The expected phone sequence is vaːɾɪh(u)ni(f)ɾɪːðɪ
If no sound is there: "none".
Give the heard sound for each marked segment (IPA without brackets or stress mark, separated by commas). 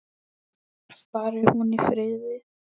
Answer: u, f